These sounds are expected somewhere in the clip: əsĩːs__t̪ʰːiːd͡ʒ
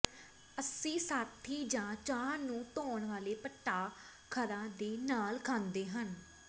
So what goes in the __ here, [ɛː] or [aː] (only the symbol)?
aː